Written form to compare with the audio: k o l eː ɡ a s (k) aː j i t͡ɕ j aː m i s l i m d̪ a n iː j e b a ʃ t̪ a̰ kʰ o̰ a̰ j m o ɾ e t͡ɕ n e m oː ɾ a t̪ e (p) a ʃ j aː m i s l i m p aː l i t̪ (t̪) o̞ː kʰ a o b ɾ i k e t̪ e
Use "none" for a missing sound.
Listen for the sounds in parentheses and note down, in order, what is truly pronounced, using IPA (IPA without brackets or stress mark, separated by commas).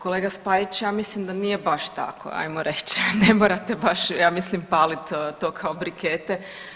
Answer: p, b, t̪